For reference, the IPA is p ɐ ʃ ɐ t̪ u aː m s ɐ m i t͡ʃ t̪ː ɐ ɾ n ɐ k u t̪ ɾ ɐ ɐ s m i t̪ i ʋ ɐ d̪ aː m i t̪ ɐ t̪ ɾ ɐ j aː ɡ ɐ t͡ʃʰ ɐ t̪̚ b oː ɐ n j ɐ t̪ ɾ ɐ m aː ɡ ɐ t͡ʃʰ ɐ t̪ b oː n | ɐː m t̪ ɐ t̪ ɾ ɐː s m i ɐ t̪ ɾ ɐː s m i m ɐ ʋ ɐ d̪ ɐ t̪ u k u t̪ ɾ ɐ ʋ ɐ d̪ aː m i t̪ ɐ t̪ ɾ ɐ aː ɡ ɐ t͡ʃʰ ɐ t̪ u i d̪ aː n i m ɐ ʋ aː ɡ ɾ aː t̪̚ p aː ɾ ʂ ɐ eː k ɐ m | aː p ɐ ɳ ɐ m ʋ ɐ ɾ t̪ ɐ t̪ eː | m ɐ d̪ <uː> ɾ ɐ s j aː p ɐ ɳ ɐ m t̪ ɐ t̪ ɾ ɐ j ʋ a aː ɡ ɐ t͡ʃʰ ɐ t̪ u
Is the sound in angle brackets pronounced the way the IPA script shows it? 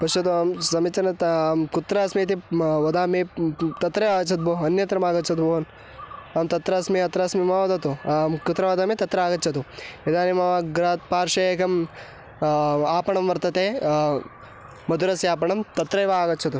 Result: no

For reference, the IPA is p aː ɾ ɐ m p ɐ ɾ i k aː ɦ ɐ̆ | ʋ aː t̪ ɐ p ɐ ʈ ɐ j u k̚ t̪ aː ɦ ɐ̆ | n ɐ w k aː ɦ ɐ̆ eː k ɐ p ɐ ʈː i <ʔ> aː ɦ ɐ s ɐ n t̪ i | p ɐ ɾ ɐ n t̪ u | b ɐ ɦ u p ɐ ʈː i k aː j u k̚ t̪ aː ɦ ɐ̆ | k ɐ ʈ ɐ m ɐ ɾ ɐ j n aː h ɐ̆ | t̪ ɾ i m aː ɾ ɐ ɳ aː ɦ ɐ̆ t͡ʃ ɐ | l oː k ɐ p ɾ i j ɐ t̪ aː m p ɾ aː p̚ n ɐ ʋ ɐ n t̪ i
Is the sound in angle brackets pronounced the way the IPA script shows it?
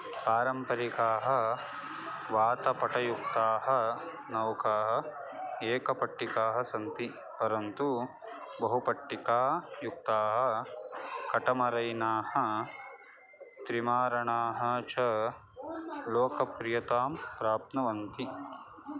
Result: no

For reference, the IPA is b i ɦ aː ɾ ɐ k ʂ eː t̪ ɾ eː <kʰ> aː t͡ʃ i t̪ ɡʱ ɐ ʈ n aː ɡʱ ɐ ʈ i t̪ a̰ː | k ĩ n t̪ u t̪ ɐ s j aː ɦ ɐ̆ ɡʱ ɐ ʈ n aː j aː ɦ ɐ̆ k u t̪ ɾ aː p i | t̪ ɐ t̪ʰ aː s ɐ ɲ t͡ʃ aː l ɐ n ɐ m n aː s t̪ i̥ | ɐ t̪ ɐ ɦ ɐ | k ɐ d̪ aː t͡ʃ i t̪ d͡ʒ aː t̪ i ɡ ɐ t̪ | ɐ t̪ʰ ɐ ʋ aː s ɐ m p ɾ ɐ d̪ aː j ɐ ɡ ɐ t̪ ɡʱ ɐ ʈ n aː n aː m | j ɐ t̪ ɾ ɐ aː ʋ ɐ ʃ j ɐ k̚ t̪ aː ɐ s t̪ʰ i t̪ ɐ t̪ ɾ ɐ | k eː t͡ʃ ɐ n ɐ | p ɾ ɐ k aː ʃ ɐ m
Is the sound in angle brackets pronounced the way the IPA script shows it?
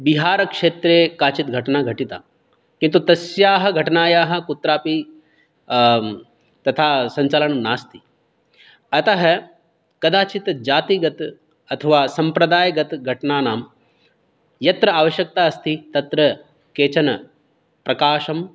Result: no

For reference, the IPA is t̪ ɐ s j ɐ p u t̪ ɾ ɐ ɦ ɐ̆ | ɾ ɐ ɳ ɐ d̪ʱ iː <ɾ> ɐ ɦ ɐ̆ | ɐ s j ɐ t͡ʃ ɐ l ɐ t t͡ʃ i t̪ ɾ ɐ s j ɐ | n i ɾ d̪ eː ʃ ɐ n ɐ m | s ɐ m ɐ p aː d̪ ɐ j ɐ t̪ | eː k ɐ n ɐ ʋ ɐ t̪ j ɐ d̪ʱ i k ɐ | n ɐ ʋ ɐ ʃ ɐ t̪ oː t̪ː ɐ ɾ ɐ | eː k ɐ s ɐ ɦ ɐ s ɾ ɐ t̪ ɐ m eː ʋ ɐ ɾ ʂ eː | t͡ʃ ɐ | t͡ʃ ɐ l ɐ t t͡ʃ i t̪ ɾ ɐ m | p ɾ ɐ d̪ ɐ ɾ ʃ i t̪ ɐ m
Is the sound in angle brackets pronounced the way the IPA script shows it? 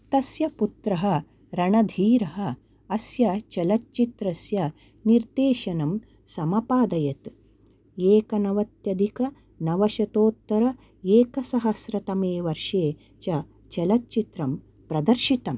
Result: yes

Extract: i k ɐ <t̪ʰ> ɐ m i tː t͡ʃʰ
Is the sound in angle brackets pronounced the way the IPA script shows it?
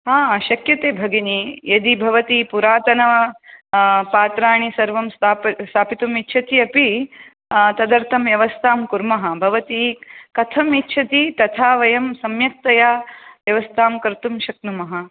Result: yes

